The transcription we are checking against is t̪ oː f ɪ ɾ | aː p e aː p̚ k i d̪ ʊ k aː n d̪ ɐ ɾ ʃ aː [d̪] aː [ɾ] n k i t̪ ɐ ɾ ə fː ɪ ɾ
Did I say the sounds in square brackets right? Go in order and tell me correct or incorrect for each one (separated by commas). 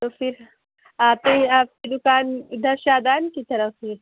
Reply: correct, incorrect